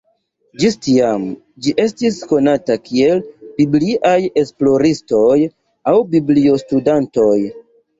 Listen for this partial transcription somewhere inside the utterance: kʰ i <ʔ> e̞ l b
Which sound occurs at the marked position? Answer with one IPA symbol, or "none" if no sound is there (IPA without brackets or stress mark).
none